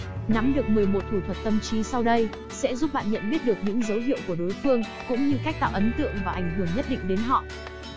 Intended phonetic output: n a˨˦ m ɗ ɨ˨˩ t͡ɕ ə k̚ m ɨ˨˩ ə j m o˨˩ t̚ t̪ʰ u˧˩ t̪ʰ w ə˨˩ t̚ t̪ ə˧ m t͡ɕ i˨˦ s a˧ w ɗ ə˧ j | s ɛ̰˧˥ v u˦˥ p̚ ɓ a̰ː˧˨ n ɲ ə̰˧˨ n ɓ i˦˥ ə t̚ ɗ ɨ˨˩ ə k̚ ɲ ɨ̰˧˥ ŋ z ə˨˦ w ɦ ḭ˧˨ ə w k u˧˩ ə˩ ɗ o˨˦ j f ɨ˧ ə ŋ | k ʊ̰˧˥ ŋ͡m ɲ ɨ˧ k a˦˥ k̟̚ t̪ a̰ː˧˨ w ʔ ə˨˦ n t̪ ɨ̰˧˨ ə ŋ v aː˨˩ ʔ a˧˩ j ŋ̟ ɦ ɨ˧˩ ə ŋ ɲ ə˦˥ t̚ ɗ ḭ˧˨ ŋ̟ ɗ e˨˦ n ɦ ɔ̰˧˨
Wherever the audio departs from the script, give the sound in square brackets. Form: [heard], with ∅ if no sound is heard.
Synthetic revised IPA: n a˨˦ m ɗ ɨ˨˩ [∅] ə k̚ m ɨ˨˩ ə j m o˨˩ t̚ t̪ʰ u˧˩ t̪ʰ w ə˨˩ t̚ t̪ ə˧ m t͡ɕ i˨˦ s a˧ w ɗ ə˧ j | s ɛ̰˧˥ [z] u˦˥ p̚ ɓ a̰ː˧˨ n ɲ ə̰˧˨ n ɓ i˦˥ ə t̚ ɗ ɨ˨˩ ə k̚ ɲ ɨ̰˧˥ ŋ z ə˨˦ w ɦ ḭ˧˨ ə w k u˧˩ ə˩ ɗ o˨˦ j f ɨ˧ ə ŋ | k ʊ̰˧˥ ŋ͡m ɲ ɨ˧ k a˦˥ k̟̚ t̪ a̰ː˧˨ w ʔ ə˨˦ n t̪ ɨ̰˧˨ ə ŋ v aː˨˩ ʔ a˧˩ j ŋ̟ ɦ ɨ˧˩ ə ŋ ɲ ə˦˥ t̚ ɗ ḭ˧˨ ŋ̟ ɗ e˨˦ n ɦ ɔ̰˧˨